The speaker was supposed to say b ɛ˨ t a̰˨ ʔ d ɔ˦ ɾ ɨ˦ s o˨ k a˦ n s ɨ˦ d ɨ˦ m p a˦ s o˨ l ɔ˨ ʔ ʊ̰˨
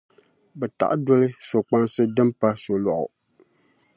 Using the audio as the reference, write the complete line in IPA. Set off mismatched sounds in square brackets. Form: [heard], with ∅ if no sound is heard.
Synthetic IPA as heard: b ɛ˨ t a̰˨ ʔ d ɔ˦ [l] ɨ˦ s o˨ [k͡p] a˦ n s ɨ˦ d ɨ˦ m p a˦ s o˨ l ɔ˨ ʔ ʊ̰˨